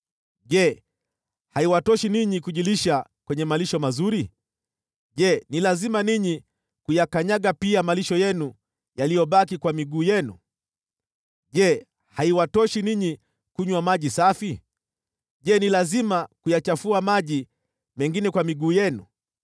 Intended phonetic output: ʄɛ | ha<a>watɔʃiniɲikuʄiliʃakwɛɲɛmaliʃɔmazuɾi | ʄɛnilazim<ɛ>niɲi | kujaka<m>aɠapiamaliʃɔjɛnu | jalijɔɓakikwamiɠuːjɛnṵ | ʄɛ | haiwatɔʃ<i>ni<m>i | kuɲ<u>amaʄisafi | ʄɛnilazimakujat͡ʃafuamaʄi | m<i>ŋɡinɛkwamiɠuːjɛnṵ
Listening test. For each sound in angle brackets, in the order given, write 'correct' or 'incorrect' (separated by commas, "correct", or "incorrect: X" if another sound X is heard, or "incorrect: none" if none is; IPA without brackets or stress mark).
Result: incorrect: i, incorrect: a, incorrect: ɲ, correct, incorrect: ɲ, incorrect: w, incorrect: ɛ